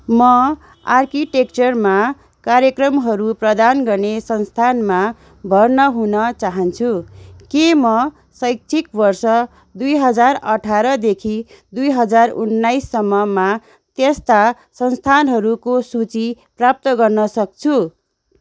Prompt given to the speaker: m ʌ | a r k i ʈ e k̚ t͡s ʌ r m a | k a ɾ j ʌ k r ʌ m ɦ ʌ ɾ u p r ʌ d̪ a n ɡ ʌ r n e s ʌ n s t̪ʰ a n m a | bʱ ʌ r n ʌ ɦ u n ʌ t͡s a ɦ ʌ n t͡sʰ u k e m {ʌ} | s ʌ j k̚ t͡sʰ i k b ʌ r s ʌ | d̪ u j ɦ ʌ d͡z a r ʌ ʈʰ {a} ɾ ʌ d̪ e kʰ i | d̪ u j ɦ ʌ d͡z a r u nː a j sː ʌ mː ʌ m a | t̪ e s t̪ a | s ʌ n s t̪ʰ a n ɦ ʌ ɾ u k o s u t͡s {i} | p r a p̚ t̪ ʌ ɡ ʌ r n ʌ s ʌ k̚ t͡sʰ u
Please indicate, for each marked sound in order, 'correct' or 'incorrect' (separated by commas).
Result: correct, correct, correct